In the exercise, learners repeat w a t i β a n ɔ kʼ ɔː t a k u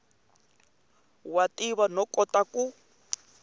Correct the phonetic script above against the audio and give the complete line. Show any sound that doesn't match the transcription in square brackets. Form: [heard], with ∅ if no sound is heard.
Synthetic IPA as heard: w a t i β a n ɔ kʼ [ɔ] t a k u